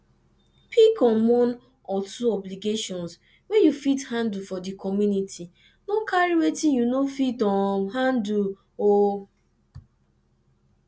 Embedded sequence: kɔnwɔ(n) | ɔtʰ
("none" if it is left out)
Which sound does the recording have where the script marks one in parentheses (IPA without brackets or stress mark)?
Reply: n